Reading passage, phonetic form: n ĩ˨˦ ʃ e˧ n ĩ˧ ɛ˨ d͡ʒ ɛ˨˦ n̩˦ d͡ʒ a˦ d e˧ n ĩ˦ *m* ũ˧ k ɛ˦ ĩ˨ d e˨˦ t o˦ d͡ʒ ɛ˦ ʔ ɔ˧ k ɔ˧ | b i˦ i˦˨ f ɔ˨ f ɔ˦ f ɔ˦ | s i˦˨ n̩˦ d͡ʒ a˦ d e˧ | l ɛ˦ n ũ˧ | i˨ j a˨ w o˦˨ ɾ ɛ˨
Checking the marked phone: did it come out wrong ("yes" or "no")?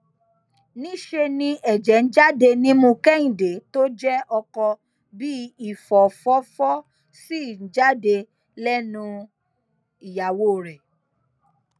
no